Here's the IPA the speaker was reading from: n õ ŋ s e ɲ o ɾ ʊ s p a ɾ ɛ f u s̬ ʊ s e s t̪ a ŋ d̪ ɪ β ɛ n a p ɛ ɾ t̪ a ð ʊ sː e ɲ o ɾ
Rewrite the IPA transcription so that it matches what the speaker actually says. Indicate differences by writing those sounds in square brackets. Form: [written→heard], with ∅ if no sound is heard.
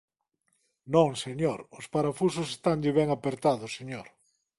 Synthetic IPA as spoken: n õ ŋ s e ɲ o ɾ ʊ s p a ɾ [ɛ→a] f u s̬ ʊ s e s t̪ a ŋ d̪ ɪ β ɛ [n→ŋ] a p [ɛ→e] ɾ t̪ a ð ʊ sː e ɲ o ɾ

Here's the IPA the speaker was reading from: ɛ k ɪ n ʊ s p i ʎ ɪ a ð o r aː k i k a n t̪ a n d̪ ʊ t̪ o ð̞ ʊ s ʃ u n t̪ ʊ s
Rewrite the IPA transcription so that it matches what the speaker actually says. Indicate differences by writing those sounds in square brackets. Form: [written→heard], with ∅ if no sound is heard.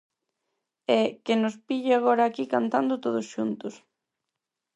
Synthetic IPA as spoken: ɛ k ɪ n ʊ s p i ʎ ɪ a [ð→ɣ] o [r→ɾ] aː k i k a n t̪ a n d̪ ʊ t̪ o ð̞ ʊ s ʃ u n t̪ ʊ s

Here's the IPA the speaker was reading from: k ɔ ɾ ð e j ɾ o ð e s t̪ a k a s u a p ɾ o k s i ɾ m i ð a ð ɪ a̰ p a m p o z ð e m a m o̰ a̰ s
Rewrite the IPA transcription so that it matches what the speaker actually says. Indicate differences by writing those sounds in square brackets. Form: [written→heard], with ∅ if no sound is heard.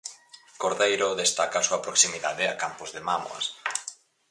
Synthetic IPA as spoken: k [ɔ→o] ɾ ð e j ɾ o ð e s t̪ a k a s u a p ɾ o k s i [ɾ→∅] m i ð a ð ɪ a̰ [p→k] a m p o z ð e m a m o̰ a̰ s

